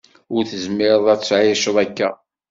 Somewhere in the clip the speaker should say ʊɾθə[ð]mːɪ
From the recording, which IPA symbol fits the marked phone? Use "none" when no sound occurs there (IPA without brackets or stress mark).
z